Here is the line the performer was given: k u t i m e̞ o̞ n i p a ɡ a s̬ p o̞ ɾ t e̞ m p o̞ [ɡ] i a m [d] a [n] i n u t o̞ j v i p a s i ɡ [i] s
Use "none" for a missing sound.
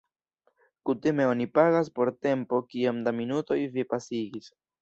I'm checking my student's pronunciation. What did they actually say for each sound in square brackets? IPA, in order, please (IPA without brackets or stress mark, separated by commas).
k, d, m, i